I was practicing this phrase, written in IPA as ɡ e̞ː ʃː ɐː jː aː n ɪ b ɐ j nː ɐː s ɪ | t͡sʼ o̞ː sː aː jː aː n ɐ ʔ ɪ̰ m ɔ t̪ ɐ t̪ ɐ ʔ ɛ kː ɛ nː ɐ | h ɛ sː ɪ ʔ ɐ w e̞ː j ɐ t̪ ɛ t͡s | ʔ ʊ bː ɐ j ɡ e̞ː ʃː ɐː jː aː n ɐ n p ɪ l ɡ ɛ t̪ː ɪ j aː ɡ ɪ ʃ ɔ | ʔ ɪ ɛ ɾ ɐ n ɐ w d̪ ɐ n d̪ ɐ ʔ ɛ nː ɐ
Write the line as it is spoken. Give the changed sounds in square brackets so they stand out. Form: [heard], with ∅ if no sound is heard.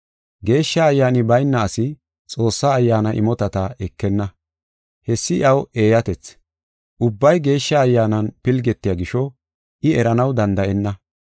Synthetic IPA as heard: ɡ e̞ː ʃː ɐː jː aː n ɪ b ɐ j nː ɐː s ɪ | t͡sʼ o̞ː sː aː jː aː n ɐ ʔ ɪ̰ m ɔ t̪ ɐ t̪ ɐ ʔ ɛ kː ɛ nː ɐ | h ɛ sː ɪ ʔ ɐ w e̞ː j ɐ t̪ ɛ t͡s | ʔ ʊ bː ɐ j ɡ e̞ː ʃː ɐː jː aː n ɐ n p ɪ l ɡ ɛ t̪ː ɪ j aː ɡ ɪ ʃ ɔ | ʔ ɪ ɛ ɾ ɐ n ɐ w d̪ ɐ n d̪ ɐ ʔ ɛ nː ɐ

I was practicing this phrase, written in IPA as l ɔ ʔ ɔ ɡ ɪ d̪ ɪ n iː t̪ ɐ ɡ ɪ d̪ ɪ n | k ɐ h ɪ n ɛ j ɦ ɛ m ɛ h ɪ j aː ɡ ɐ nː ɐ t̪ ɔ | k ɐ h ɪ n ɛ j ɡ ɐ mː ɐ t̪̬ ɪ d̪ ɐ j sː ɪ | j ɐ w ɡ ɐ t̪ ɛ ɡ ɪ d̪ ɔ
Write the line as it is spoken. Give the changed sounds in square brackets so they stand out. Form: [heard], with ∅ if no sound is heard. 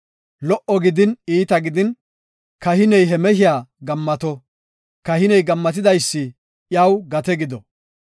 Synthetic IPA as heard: l ɔ ʔ ɔ ɡ ɪ d̪ ɪ n iː t̪ ɐ ɡ ɪ d̪ ɪ n | k ɐ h ɪ n ɛ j ɦ ɛ m ɛ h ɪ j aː ɡ ɐ [mː] ɐ t̪ ɔ | k ɐ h ɪ n ɛ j ɡ ɐ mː ɐ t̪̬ ɪ d̪ ɐ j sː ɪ | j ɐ w ɡ ɐ t̪ ɛ ɡ ɪ d̪ ɔ

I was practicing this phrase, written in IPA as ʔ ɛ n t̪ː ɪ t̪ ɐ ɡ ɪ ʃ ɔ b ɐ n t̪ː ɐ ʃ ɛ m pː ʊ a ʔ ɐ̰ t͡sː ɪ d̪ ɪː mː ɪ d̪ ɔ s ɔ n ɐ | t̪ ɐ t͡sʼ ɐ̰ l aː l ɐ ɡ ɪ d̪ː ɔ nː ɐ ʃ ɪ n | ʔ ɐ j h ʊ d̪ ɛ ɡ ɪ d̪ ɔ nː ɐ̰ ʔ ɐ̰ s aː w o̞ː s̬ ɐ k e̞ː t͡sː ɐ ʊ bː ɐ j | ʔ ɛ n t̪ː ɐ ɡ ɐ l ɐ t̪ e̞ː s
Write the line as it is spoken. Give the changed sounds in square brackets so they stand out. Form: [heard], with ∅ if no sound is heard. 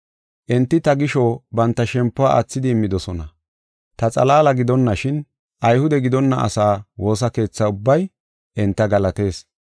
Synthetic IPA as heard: ʔ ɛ n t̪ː ɪ t̪ ɐ ɡ ɪ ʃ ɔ b ɐ n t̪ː ɐ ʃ ɛ m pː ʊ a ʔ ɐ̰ t͡sː ɪ d̪ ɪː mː ɪ d̪ ɔ s ɔ n ɐ | t̪ ɐ t͡sʼ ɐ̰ l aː l ɐ ɡ ɪ [d̪] ɔ nː ɐ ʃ ɪ n | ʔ ɐ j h ʊ d̪ ɛ ɡ ɪ d̪ ɔ nː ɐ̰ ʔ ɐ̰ s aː w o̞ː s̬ ɐ k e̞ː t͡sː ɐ ʊ bː ɐ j | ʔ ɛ n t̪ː ɐ ɡ ɐ l ɐ t̪ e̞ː s

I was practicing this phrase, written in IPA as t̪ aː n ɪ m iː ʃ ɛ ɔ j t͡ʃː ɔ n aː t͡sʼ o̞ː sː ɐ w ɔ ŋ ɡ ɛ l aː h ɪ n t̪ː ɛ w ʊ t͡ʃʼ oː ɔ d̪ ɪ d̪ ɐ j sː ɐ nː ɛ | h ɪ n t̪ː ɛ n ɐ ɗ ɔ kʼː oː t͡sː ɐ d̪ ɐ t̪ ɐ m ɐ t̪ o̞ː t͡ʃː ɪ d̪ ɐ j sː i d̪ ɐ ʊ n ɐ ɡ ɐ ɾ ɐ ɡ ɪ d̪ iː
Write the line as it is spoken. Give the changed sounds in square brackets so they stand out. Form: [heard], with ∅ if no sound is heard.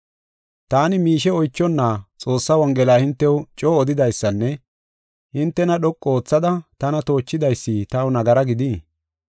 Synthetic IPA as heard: t̪ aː n ɪ m iː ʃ ɛ ɔ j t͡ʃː ɔ [nː] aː t͡sʼ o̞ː sː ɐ w ɔ ŋ ɡ ɛ l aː h ɪ n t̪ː ɛ w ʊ t͡ʃʼ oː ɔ d̪ ɪ d̪ ɐ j sː ɐ nː ɛ | h ɪ n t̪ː ɛ n ɐ ɗ ɔ kʼː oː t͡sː ɐ d̪ ɐ t̪ ɐ [n] ɐ t̪ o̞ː t͡ʃː ɪ d̪ ɐ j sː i [t̪] ɐ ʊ n ɐ ɡ ɐ ɾ ɐ ɡ ɪ d̪ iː

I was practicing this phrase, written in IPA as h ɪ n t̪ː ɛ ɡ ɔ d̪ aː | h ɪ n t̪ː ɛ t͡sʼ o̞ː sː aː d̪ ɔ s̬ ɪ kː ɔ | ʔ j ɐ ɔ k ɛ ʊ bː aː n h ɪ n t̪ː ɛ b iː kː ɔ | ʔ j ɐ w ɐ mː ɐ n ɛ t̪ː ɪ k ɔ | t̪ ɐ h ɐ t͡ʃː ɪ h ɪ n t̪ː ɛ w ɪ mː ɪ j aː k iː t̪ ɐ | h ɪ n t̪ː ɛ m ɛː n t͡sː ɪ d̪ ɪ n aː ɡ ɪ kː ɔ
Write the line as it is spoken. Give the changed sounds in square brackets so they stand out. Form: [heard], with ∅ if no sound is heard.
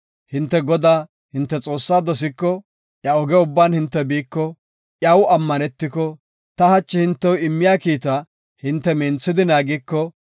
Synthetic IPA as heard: h ɪ n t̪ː ɛ ɡ ɔ d̪ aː | h ɪ n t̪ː ɛ t͡sʼ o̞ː sː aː d̪ ɔ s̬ ɪ kː ɔ | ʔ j ɐ ɔ [ɡ] ɛ ʊ bː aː n h ɪ n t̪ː ɛ b iː kː ɔ | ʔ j ɐ w ɐ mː ɐ n ɛ t̪ː ɪ k ɔ | t̪ ɐ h ɐ t͡ʃː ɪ h ɪ n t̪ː ɛ w ɪ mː ɪ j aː k iː t̪ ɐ | h ɪ n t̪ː ɛ m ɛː n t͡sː ɪ d̪ ɪ n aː ɡ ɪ kː ɔ

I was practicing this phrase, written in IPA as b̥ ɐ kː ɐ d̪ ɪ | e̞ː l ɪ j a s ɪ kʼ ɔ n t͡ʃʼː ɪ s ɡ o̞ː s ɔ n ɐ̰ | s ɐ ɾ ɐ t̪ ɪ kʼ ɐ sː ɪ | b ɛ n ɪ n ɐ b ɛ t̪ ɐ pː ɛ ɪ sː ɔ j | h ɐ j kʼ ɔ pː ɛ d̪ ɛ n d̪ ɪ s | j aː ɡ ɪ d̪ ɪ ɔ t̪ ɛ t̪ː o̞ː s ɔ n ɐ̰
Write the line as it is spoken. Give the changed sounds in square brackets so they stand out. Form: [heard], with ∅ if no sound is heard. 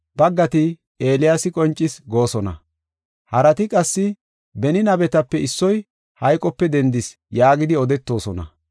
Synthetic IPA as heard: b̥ ɐ [ɡː] ɐ [t̪] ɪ | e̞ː l ɪ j a s ɪ kʼ ɔ n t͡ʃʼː ɪ s ɡ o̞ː s ɔ n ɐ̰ | [h] ɐ ɾ ɐ t̪ ɪ kʼ ɐ sː ɪ | b ɛ n ɪ n ɐ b ɛ t̪ ɐ pː ɛ ɪ sː ɔ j | h ɐ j kʼ ɔ pː ɛ d̪ ɛ n d̪ ɪ s | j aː ɡ ɪ d̪ ɪ ɔ [d̪] ɛ t̪ː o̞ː s ɔ n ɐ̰

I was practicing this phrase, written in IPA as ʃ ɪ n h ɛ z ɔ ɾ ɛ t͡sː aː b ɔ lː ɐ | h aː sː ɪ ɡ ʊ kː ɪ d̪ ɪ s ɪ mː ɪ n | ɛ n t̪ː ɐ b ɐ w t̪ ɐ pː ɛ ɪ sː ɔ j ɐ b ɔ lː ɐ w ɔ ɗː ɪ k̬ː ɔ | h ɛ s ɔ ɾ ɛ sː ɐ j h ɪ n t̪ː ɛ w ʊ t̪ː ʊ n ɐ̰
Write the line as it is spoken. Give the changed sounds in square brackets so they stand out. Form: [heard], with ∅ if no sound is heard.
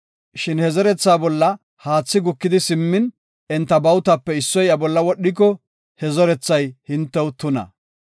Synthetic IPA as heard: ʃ ɪ n h ɛ z ɔ ɾ ɛ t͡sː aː b ɔ lː ɐ | h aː [t͡sː] ɪ ɡ ʊ kː ɪ d̪ ɪ s ɪ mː ɪ n | ɛ n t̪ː ɐ b ɐ w t̪ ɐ pː ɛ ɪ sː ɔ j ɐ b ɔ lː ɐ w ɔ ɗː ɪ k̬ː ɔ | h ɛ [z] ɔ ɾ ɛ [t͡sː] ɐ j h ɪ n t̪ː ɛ w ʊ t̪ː ʊ n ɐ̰

